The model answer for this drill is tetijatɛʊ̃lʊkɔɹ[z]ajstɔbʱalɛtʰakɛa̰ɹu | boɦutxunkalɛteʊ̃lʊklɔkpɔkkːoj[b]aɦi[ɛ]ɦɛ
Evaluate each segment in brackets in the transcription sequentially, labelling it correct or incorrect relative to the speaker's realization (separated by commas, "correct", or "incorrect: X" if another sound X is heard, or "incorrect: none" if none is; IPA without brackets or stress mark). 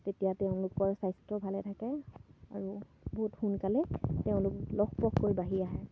incorrect: s, correct, incorrect: a